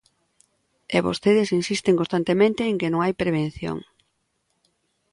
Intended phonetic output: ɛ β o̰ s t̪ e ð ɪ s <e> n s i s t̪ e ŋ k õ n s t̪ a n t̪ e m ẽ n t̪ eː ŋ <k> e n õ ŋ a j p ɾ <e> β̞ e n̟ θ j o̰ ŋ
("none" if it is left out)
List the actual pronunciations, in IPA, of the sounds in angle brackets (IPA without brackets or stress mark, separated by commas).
i, k, e